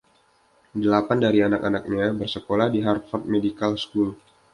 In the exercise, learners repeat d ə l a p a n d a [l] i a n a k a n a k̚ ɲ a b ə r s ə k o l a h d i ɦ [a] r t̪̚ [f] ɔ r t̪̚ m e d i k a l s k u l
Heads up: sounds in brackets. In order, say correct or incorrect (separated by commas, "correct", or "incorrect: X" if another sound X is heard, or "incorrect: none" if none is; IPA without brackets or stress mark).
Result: incorrect: ɾ, correct, correct